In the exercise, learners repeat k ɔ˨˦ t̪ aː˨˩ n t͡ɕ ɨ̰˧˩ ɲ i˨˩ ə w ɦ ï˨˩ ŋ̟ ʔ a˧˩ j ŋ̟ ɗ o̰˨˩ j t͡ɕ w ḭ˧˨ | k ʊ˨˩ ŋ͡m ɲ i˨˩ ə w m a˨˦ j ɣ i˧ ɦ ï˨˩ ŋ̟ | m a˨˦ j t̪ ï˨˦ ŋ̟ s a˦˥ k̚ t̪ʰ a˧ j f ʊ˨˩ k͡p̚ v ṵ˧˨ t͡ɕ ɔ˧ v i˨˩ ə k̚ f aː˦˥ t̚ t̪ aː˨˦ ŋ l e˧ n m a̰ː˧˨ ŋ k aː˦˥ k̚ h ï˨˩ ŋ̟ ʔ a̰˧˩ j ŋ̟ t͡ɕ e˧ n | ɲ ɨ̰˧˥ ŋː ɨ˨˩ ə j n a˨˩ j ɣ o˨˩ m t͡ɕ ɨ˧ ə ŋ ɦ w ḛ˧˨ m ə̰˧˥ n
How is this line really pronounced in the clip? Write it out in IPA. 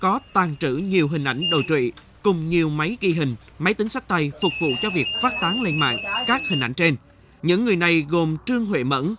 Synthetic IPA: k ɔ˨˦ t̪ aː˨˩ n t͡ɕ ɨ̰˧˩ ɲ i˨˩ ə w ɦ ï˨˩ ŋ̟ ʔ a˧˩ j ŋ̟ ɗ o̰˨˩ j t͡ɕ w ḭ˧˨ | k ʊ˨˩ ŋ͡m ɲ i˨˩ ə w m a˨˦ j ɣ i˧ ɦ ï˨˩ ŋ̟ | m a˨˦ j t̪ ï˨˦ ŋ̟ s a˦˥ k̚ t̪ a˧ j f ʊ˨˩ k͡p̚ v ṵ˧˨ t͡ɕ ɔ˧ v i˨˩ ə k̚ f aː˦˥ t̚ t̪ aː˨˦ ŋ l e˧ n m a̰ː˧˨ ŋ k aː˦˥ k̚ h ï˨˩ ŋ̟ ʔ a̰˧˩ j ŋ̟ t͡ɕ e˧ n | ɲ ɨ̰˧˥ ŋː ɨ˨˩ ə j n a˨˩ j ɣ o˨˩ m t͡ɕ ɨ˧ ə ŋ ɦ w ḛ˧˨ m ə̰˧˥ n